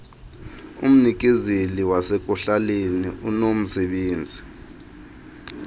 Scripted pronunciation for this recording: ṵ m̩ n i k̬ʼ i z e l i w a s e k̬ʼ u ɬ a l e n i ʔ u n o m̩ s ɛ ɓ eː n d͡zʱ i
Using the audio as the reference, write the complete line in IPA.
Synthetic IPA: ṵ m̩ n i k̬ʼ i z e l i w a s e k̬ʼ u ɬ a l e n i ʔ u n o m̩ s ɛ ɓ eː n d͡zʱ i

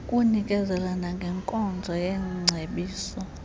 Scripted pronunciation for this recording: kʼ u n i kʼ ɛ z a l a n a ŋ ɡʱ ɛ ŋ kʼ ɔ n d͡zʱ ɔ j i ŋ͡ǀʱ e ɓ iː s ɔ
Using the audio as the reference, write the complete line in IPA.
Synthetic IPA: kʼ u n i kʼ ɛ z ɛ l a n a ŋ ɡʱ ɛ ŋ kʼ ɔ n d͡zʱ ɔ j ɛ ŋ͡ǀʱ e ɓ iː s ɔ

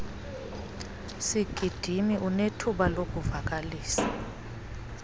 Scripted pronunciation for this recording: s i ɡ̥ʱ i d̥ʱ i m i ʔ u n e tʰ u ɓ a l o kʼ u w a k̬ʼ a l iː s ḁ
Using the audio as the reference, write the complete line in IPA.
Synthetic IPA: s i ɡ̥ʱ i d̥ʱ i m i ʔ u n e tʰ u ɓ a l o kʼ u v a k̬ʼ a l iː s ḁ

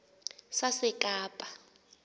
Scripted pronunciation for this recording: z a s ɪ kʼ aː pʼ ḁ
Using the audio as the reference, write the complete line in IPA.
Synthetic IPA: s a s ɪ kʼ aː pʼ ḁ

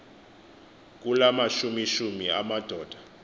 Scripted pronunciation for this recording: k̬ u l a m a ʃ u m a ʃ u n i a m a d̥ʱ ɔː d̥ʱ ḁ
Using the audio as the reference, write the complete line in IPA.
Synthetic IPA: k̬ u l a m a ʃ u m i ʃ u m i a m a d̥ʱ ɔː d̥ʱ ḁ

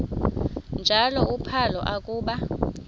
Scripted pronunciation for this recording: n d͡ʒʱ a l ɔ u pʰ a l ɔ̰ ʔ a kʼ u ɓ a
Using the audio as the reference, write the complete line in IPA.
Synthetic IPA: n d͡ʒʱ a l ɔ u pʰ a l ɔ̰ ʔ a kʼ uː ɓ a

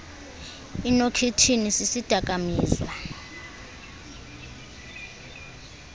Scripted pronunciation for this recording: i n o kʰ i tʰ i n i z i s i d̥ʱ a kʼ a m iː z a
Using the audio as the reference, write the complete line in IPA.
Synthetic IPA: i n o kʰ i tʰ i n i s i s i d̥ʱ a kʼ a m iː z a

